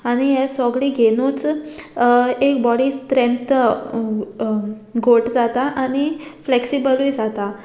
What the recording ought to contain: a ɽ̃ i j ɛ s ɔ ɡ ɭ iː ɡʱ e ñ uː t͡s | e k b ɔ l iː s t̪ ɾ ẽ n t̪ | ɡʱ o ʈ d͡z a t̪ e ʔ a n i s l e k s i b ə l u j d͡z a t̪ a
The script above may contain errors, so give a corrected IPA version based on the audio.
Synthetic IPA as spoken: a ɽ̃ i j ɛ s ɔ ɡ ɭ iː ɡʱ e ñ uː t͡s | e k b ɔ ɽ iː s t̪ ɾ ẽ n t̪ | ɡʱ o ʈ d͡z a t̪ a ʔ a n i f l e k s i b ə l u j d͡z a t̪ a